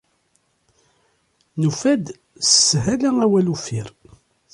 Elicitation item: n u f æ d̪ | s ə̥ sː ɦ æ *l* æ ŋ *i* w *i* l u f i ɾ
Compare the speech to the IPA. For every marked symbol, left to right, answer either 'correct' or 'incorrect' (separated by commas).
correct, incorrect, incorrect